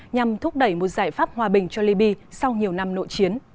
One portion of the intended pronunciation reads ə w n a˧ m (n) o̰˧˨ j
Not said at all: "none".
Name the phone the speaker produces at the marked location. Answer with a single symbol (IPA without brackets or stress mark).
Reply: n